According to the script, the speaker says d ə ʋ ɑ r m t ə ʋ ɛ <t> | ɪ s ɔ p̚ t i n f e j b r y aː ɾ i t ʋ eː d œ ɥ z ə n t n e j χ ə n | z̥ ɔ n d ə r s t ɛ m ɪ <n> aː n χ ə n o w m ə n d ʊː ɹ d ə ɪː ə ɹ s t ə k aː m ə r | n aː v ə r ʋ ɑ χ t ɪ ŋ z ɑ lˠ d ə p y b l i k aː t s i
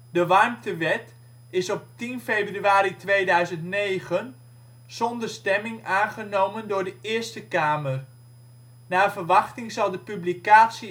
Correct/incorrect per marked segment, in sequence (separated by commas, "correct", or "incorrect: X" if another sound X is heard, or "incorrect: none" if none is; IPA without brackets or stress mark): correct, incorrect: ŋ